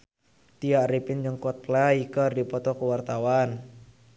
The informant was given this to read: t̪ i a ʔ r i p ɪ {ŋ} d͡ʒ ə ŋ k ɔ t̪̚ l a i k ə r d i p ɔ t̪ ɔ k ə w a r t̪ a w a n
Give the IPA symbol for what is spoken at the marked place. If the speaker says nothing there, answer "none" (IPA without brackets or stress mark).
n